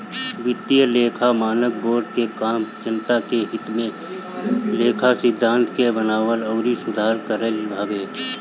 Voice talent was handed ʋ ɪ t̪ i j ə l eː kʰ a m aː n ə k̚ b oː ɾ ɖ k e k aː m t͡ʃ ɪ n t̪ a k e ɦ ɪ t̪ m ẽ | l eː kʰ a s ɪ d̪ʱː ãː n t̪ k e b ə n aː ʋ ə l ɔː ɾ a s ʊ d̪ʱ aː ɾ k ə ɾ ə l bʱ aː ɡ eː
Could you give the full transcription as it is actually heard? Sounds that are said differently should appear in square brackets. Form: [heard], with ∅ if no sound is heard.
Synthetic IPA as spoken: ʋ ɪ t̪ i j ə l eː kʰ a m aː n ə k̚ b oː ɾ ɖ k e k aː m t͡ʃ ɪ n t̪ a k e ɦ ɪ t̪ m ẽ | l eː kʰ a s ɪ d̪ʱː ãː n t̪ k e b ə n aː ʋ ə l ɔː ɾ [i] s ʊ d̪ʱ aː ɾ k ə ɾ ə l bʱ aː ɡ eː